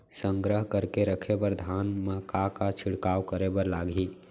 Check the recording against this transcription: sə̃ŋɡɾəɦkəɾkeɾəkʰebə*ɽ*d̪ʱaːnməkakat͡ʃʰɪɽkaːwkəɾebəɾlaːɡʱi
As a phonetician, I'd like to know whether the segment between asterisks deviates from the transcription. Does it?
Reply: yes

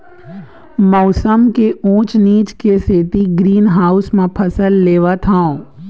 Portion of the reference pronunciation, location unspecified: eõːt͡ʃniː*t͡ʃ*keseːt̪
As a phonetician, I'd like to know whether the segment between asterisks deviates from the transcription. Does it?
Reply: no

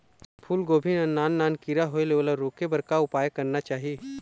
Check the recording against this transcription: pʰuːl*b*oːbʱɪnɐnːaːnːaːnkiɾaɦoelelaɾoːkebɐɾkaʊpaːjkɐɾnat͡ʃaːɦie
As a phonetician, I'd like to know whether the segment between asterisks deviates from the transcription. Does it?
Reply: yes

